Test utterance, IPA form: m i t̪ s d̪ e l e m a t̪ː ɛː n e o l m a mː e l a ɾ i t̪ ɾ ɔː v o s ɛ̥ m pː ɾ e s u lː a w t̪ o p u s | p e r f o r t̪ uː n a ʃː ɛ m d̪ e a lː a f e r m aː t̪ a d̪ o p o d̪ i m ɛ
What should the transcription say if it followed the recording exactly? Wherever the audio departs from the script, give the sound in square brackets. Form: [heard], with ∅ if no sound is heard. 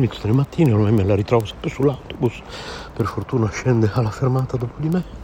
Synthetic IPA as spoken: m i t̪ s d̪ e l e m a t̪ː [iː] n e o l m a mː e l a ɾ i t̪ ɾ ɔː v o s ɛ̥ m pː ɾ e s u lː a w t̪ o [b] u s | p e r f o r t̪ uː n a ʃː ɛ [n] d̪ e a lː a f e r m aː t̪ a d̪ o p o d̪ i m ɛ